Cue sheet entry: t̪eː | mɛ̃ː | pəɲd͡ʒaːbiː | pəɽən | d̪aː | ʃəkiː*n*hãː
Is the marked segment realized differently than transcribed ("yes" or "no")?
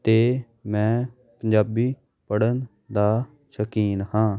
no